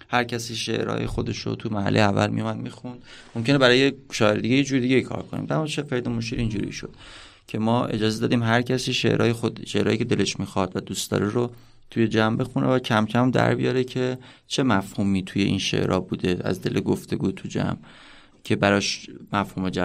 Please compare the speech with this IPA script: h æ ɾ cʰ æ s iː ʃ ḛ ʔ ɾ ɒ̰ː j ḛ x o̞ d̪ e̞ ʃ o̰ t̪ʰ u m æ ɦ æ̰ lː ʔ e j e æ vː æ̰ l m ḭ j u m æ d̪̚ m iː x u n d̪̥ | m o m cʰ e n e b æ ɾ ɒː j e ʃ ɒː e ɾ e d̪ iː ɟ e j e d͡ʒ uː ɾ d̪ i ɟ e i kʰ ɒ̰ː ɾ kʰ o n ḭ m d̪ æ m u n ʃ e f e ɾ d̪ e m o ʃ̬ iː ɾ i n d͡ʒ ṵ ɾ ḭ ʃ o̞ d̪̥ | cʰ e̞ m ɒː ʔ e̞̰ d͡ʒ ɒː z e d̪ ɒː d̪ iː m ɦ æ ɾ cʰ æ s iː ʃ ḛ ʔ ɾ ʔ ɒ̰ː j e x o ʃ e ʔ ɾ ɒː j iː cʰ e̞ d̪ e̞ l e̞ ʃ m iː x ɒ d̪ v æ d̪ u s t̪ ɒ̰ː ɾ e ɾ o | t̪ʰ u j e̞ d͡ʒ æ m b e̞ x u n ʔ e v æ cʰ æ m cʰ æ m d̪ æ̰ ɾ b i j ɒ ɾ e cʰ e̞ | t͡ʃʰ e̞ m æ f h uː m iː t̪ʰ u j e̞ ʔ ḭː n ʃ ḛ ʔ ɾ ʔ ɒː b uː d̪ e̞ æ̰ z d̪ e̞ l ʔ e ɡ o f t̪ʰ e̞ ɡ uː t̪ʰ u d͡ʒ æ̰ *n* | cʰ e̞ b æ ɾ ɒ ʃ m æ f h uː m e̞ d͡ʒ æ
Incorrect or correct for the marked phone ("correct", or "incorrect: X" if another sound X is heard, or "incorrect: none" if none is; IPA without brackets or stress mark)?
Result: incorrect: m